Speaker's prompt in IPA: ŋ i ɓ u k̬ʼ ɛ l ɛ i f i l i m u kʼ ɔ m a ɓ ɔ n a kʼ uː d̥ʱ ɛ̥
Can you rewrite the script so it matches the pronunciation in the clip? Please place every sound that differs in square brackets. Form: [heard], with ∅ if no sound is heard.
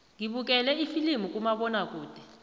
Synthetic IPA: ŋ i ɓ u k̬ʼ ɛ l ɛ i f i l i m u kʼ [u] m a ɓ ɔ n a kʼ uː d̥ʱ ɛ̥